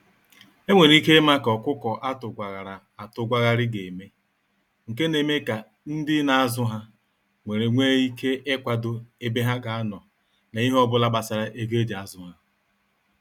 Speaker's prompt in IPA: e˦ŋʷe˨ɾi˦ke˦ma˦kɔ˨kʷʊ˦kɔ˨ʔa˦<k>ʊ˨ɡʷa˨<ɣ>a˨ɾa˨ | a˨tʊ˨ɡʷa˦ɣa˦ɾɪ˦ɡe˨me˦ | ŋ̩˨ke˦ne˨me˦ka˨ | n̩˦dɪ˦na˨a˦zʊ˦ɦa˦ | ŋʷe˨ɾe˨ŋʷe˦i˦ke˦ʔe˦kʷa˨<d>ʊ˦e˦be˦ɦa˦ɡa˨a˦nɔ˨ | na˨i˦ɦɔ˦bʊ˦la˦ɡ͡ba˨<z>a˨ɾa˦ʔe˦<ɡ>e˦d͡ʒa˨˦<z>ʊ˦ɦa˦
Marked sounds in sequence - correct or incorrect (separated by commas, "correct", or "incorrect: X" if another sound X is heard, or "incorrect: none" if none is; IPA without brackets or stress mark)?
incorrect: t, correct, correct, incorrect: s, correct, correct